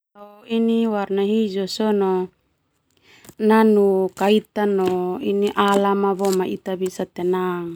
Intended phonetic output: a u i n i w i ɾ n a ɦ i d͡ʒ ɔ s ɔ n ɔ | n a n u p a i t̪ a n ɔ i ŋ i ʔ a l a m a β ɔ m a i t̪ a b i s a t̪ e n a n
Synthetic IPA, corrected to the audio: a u i n i w a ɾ n a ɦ i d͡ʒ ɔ s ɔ n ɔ | n a n u k a i t̪ a n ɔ i n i ʔ a l a m a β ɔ m a i t̪ a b i s a t̪ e n a ŋ